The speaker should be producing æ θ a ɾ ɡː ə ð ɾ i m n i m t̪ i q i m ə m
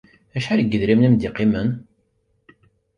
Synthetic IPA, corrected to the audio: æ ʃ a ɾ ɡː ə ð ɾ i m n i m d̪ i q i m ə n